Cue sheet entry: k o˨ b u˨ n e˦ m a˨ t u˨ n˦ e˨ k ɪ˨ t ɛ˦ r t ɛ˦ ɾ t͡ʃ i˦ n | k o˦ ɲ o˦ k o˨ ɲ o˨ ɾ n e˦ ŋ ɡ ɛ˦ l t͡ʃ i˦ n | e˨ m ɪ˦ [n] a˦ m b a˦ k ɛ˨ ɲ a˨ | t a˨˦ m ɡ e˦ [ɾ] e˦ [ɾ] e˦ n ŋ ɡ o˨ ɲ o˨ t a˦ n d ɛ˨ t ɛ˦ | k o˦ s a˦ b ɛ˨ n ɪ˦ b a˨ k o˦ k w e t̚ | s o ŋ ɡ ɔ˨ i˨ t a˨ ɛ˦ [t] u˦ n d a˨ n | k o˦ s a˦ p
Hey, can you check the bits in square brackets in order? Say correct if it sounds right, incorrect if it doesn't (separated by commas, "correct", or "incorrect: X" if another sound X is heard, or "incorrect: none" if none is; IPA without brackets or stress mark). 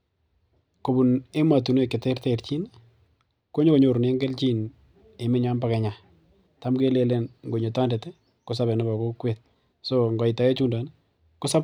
incorrect: ɲ, incorrect: l, incorrect: l, incorrect: t͡ʃ